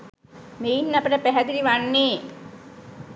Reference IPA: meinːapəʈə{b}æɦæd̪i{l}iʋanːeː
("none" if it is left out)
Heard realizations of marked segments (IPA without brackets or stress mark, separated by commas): p, ɾ